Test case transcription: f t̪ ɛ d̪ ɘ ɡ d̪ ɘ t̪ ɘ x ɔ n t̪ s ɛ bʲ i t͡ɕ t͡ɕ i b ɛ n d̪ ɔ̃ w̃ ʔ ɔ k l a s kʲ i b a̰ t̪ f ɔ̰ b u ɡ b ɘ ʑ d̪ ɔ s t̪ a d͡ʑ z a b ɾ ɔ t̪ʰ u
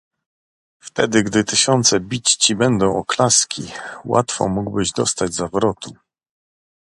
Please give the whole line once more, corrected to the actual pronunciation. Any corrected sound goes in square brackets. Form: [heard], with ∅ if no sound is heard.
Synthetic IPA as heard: f t̪ ɛ d̪ ɘ ɡ d̪ ɘ t̪ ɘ [ɕ] ɔ n t̪ s ɛ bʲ i t͡ɕ t͡ɕ i b ɛ n d̪ ɔ̃ w̃ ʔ ɔ k l a s kʲ i [w] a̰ t̪ f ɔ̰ [m] u ɡ b ɘ ʑ d̪ ɔ s t̪ a d͡ʑ z a [v] ɾ ɔ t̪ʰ u